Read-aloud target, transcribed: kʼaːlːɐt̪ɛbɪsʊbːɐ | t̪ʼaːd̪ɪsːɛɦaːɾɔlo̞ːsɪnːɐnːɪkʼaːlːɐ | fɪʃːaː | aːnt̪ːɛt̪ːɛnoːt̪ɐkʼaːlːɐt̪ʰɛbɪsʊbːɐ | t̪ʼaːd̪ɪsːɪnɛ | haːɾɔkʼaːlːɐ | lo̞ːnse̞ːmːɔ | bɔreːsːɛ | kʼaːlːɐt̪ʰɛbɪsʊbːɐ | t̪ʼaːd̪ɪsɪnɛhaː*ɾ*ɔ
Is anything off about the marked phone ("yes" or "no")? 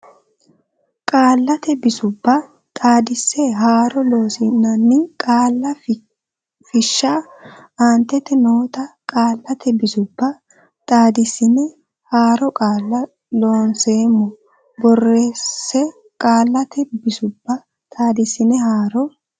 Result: no